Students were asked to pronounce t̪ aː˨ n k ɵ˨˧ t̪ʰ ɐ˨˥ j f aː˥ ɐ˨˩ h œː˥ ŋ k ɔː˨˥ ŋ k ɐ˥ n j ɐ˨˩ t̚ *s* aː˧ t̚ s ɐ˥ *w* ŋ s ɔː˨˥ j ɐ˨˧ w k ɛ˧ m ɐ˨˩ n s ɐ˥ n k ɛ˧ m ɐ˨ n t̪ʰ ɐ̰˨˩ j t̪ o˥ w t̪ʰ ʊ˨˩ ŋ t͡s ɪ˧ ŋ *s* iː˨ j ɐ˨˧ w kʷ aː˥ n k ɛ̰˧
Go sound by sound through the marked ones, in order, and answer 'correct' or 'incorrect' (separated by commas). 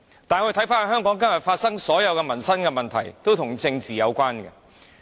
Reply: incorrect, incorrect, incorrect